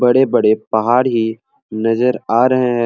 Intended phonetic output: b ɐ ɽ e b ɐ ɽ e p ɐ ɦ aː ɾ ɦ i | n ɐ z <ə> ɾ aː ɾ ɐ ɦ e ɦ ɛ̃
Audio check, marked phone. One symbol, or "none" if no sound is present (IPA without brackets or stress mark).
ə